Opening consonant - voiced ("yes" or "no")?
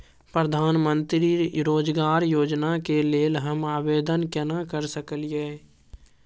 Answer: no